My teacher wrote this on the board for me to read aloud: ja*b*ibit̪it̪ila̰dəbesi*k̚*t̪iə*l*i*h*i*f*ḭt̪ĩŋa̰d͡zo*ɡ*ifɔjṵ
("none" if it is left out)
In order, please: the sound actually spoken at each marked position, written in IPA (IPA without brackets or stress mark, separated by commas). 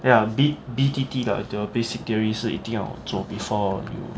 b, k̚, ɹ, s, none, b